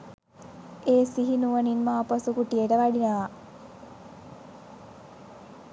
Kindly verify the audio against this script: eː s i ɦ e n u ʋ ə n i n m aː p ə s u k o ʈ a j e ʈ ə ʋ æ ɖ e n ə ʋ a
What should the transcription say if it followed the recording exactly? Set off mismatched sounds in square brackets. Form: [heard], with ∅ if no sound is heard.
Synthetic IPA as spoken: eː s i ɦ [i] n u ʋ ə n i n m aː p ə s u k [u] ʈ [i] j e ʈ ə ʋ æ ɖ [i] n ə ʋ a